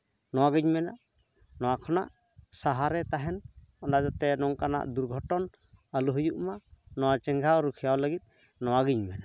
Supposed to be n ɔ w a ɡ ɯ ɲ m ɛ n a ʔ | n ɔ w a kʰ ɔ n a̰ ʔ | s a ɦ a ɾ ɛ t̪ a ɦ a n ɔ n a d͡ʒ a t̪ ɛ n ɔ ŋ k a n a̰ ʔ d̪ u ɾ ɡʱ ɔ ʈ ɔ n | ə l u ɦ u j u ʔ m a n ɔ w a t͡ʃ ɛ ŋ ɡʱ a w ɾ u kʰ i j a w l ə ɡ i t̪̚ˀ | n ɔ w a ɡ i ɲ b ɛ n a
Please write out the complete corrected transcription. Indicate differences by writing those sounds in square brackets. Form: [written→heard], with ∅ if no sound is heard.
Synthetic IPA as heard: n ɔ w a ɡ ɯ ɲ m ɛ n a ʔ | n ɔ w a kʰ ɔ n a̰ ʔ | s a ɦ a ɾ ɛ t̪ a ɦ [a→ɛ] n ɔ n a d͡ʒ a t̪ ɛ n ɔ ŋ k a n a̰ ʔ d̪ u ɾ ɡʱ ɔ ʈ ɔ n | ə l u ɦ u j u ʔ m a n ɔ w a t͡ʃ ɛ ŋ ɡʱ a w ɾ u kʰ i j a w l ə ɡ i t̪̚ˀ | n ɔ w a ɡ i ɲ [b→m] ɛ n a